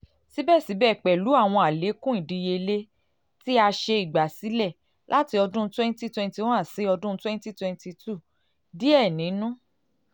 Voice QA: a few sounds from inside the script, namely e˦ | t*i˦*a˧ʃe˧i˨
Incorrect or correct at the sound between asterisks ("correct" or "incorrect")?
correct